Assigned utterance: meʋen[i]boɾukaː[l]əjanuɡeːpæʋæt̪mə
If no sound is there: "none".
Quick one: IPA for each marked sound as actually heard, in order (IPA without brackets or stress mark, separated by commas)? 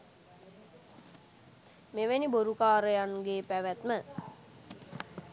i, ɾ